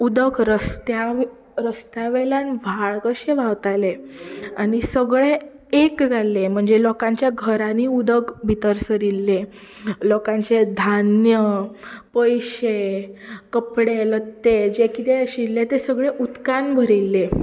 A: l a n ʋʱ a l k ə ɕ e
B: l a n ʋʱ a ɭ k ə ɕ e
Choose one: B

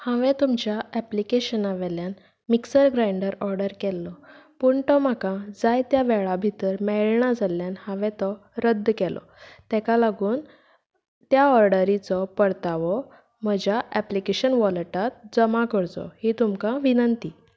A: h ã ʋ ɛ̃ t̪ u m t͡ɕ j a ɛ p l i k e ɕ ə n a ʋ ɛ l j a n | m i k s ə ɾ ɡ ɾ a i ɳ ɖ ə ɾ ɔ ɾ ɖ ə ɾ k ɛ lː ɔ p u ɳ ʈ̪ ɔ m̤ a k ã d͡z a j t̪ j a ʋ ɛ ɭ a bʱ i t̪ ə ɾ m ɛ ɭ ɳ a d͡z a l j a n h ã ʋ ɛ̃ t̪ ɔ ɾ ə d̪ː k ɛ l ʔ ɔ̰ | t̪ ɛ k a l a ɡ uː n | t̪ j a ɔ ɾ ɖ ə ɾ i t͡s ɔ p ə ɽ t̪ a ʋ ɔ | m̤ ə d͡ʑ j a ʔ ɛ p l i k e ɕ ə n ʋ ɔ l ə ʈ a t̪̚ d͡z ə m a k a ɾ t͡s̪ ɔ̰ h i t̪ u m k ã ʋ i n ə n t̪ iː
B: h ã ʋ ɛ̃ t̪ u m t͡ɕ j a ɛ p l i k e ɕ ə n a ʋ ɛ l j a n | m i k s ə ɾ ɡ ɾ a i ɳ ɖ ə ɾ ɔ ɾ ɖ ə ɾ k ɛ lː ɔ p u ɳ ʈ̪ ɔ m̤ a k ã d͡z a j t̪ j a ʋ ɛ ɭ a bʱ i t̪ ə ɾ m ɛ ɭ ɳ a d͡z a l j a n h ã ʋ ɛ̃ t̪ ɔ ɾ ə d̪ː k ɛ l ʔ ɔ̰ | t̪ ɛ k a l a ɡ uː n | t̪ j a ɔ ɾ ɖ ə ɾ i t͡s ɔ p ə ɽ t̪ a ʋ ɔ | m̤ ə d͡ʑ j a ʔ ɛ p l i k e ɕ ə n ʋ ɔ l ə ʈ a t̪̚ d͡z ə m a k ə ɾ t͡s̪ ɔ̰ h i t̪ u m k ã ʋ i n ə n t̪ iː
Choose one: B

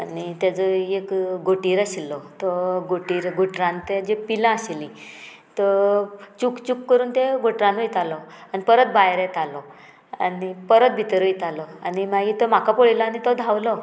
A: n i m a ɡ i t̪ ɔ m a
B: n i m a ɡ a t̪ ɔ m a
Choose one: A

